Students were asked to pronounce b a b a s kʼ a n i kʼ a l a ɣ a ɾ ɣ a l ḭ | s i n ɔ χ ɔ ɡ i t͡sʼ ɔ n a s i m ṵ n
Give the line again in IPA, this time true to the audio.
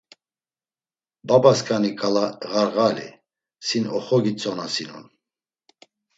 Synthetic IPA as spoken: b a b a s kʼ a n i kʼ a l a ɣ a ɾ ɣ a l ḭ | s i n ɔ χ ɔ ɡ i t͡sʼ ɔ n a s i n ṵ n